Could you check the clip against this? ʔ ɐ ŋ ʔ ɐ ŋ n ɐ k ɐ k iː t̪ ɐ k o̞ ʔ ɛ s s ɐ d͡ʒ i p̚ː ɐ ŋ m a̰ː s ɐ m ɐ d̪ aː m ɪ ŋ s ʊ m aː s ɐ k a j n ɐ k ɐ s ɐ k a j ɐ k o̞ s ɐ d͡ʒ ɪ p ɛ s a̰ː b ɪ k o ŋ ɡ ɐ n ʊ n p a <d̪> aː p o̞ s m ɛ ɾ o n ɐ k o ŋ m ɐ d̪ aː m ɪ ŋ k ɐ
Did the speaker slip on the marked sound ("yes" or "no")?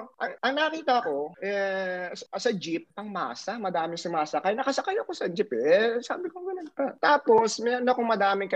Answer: yes